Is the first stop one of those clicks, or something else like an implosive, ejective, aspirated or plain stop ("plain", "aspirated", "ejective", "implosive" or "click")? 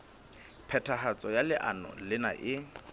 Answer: aspirated